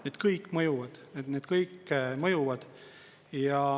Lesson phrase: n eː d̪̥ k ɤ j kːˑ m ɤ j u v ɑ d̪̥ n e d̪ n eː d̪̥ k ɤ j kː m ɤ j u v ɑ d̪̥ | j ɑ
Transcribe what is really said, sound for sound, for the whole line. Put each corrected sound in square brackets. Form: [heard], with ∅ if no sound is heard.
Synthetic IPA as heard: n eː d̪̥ k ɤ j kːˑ m ɤ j u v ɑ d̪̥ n e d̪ n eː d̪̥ k ɤ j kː m ɤ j u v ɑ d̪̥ | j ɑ